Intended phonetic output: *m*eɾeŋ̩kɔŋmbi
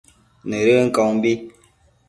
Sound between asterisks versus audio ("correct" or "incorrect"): incorrect